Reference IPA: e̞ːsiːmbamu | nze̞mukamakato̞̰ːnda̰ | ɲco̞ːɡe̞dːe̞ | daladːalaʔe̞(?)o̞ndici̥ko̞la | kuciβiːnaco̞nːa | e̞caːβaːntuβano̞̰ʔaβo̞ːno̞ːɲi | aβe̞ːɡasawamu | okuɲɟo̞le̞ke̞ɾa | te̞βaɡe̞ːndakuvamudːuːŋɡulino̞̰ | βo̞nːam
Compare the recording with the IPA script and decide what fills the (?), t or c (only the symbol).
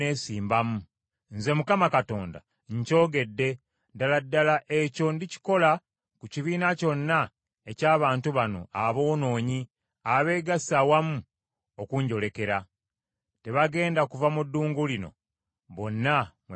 c